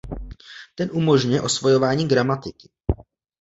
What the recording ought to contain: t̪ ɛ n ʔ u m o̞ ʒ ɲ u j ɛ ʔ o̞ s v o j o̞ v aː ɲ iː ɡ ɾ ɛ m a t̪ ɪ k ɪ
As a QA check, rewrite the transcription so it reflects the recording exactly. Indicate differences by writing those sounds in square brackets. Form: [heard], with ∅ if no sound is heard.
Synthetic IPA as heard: t̪ ɛ n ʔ u m o̞ ʒ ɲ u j ɛ ʔ o̞ s v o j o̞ v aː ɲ iː ɡ ɾ [a] m a t̪ ɪ k ɪ